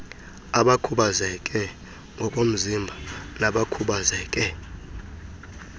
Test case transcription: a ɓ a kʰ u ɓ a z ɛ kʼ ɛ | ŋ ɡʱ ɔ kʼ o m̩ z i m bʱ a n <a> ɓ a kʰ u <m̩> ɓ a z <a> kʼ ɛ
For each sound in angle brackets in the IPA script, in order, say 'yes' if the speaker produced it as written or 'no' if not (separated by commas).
yes, no, no